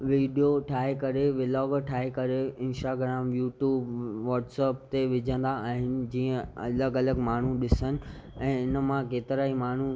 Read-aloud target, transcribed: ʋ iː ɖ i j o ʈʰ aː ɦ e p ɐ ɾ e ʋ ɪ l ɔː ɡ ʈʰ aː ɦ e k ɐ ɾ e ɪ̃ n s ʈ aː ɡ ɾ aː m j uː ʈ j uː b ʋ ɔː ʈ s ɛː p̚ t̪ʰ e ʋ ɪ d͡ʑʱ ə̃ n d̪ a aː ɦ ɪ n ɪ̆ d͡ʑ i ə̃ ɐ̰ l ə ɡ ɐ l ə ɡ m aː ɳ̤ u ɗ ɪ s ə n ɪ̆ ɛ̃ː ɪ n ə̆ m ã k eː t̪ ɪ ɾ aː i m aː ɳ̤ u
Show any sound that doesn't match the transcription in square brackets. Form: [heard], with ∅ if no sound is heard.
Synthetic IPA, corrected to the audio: ʋ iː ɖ i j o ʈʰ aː ɦ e [k] ɐ ɾ e ʋ ɪ l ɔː ɡ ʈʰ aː ɦ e k ɐ ɾ e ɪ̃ n s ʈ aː ɡ ɾ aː m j uː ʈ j uː b ʋ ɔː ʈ s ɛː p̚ [t̪] e ʋ ɪ d͡ʑʱ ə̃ n d̪ a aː ɦ ɪ n ɪ̆ d͡ʑ [iː] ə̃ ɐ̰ l ə ɡ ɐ l ə ɡ m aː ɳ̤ u ɗ ɪ s ə n ɪ̆ ɛ̃ː ɪ n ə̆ m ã k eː t̪ ɪ ɾ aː i m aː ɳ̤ u